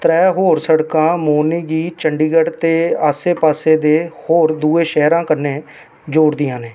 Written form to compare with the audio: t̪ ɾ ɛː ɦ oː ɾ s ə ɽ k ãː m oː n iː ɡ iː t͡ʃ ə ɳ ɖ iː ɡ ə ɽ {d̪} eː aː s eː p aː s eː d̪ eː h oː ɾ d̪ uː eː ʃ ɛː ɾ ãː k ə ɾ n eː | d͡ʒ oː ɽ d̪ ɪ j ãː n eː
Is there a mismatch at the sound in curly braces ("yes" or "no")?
yes